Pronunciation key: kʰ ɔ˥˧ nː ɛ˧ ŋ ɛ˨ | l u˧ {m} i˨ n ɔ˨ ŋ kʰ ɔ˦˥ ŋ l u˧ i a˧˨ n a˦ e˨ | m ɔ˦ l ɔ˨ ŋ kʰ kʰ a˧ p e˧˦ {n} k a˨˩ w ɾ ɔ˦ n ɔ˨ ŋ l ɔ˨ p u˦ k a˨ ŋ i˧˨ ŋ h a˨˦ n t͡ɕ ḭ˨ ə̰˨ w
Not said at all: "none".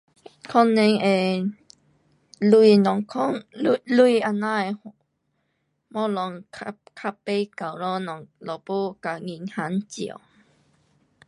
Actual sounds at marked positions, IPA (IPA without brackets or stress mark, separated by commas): none, none